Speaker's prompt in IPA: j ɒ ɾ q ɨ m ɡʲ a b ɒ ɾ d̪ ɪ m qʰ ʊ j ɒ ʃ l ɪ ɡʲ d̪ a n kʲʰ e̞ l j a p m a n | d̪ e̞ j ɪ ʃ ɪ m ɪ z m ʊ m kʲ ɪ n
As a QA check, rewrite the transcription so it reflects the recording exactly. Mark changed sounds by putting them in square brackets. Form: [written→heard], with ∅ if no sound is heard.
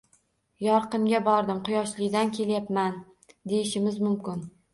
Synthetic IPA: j ɒ ɾ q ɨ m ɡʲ a b ɒ ɾ d̪ ɪ m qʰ ʊ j ɒ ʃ l ɪ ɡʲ d̪ a n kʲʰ e̞ l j a p m a n | d̪ e̞ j ɪ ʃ ɪ m ɪ z m ʊ m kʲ ɪ n